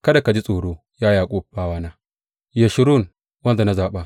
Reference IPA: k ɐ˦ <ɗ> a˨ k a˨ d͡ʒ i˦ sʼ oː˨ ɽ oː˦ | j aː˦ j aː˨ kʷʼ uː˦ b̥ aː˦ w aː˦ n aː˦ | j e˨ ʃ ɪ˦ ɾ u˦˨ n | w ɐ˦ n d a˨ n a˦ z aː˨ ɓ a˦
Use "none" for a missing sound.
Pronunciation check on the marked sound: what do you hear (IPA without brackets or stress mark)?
d